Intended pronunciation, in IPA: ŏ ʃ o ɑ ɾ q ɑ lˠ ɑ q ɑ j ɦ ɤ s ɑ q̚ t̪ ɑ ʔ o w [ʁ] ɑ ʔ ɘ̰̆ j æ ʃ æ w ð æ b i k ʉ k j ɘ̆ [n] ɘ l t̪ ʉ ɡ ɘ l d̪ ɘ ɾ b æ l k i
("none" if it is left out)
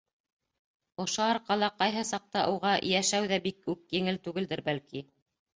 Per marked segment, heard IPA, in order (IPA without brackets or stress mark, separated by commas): ʁ, ŋ